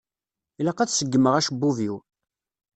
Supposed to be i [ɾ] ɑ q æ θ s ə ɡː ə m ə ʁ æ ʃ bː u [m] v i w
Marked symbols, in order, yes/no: no, no

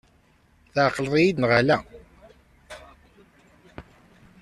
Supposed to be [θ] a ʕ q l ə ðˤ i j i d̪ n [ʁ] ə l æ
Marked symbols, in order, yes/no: yes, yes

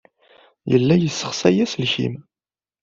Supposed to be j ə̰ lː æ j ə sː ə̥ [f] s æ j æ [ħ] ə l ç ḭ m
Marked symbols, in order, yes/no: no, no

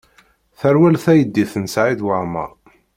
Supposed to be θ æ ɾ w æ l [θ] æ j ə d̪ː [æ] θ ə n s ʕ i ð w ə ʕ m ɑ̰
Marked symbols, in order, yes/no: yes, no

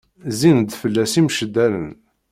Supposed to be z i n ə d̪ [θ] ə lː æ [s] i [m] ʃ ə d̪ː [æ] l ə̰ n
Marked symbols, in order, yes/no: no, yes, yes, yes

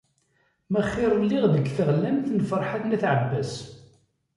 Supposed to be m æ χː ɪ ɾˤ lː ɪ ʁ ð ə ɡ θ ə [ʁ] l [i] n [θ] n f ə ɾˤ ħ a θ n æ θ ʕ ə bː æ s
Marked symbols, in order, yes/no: yes, no, yes

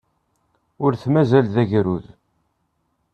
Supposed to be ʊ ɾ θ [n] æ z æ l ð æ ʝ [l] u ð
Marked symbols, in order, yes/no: no, no

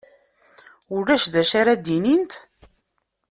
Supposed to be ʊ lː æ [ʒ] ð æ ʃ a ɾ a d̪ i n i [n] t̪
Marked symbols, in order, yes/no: no, yes

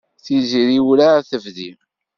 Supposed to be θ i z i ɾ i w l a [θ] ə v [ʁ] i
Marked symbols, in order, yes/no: yes, no

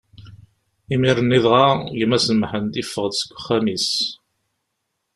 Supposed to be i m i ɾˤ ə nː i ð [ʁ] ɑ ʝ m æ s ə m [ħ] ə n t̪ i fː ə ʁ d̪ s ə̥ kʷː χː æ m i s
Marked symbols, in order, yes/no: yes, yes

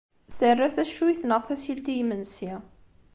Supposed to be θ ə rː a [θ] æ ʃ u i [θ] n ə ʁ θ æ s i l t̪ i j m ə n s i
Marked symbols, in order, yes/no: yes, yes

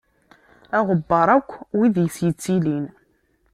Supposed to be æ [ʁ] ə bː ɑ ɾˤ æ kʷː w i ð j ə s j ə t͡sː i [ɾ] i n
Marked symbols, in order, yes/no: yes, no

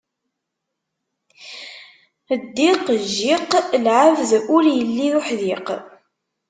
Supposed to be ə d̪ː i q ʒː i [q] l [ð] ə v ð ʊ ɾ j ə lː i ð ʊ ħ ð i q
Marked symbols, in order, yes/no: yes, no

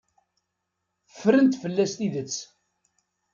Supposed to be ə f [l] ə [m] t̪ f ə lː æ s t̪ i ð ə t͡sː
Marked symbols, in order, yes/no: no, no

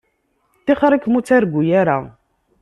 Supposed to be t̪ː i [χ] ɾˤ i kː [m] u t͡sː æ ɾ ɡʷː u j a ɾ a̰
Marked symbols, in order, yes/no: yes, yes

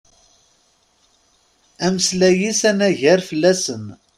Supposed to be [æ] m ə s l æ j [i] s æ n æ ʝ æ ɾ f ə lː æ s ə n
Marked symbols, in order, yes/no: yes, yes

